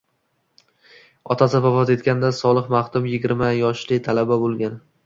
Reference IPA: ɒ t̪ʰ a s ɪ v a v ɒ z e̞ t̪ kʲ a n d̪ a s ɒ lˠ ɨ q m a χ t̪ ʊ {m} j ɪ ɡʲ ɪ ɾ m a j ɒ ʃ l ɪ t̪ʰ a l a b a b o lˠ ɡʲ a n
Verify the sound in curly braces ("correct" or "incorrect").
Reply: correct